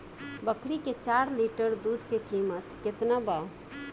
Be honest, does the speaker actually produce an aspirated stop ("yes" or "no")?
no